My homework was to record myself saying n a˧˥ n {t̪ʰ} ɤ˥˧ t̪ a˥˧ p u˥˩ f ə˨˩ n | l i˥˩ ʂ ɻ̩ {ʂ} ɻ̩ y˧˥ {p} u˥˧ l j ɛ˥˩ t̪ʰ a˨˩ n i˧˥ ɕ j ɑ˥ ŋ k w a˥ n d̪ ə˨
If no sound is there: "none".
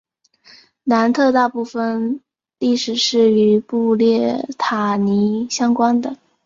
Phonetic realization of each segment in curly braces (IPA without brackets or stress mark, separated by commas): t̪ʰ, ʂ, p